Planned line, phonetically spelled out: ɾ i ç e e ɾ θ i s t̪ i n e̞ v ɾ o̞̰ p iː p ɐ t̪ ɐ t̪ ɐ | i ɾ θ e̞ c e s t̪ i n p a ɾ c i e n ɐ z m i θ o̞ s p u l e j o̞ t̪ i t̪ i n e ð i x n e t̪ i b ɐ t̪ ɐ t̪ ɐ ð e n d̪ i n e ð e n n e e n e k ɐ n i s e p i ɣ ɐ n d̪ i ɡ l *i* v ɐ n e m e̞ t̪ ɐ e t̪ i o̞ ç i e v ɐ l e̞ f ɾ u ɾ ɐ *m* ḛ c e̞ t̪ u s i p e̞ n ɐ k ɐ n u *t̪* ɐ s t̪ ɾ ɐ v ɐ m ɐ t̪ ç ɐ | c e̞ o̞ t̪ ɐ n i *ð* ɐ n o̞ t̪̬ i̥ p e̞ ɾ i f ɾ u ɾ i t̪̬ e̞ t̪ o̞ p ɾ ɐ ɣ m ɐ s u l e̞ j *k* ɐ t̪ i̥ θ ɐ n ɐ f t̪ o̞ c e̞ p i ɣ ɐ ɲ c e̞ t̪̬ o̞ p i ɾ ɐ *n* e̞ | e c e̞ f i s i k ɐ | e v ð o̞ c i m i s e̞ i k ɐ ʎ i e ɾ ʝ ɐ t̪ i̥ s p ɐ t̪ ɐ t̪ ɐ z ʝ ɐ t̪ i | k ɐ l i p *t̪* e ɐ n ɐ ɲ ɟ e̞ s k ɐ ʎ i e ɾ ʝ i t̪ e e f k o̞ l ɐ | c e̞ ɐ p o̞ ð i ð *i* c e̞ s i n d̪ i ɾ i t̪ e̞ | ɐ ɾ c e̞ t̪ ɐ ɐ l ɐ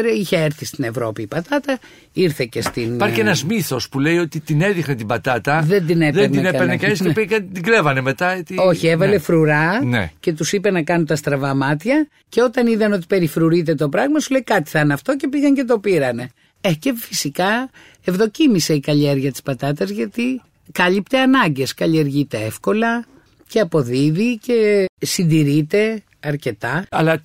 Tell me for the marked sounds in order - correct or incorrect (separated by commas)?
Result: incorrect, incorrect, correct, correct, correct, correct, correct, correct